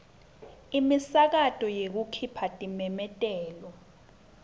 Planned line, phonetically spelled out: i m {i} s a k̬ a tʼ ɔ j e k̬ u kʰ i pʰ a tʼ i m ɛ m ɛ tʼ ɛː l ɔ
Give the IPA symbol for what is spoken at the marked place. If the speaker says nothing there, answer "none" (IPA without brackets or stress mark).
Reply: i